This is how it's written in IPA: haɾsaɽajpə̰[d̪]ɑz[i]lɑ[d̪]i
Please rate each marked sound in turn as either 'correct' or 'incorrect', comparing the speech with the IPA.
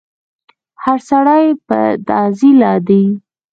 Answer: correct, correct, correct

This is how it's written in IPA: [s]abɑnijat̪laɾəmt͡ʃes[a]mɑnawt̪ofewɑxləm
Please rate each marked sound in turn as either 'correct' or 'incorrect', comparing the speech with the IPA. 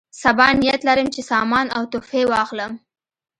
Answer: correct, incorrect

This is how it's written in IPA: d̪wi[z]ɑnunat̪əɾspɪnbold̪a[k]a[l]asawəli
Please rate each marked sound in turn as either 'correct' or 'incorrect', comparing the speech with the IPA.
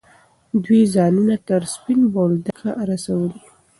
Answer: correct, incorrect, incorrect

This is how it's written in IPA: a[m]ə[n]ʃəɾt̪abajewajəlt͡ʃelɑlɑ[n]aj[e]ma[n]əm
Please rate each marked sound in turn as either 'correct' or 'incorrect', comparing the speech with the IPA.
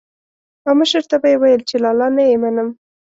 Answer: correct, incorrect, correct, correct, correct

